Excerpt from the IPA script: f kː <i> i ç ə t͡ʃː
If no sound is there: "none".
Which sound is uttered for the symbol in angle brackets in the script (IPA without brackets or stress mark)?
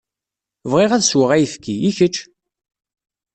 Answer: i